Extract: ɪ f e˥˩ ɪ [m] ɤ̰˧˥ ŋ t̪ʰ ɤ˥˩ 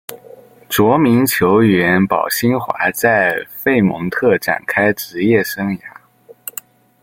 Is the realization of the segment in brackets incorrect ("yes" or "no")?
no